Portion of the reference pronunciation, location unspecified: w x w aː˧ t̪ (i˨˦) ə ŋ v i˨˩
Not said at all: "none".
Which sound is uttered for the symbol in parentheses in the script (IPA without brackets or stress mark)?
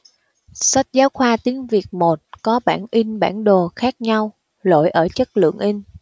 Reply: i˨˦